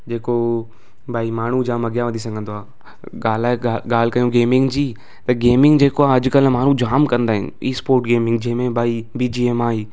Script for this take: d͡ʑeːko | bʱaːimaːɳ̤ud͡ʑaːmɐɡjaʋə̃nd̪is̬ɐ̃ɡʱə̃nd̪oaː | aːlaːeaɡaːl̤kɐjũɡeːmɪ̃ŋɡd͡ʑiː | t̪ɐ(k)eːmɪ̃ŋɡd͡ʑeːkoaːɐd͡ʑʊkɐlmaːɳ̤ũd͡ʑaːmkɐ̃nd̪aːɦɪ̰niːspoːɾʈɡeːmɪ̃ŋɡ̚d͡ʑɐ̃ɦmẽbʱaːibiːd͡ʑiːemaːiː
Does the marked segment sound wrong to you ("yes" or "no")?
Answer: yes